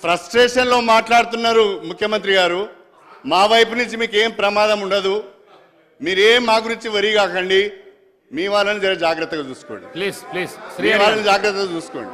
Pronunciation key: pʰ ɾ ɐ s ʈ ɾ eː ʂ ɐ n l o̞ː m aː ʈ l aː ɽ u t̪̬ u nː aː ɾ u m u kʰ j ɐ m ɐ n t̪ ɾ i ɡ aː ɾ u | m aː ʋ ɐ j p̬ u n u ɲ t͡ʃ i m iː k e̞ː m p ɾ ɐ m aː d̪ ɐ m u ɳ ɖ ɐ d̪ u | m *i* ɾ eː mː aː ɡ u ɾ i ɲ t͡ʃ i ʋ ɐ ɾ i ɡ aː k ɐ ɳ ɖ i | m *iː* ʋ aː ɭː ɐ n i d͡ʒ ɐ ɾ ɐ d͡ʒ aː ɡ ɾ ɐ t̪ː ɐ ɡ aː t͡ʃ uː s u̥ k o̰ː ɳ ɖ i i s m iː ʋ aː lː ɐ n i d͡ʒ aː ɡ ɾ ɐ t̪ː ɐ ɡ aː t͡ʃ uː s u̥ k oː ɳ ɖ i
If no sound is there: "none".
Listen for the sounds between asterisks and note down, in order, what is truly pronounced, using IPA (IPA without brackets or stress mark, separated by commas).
iː, iː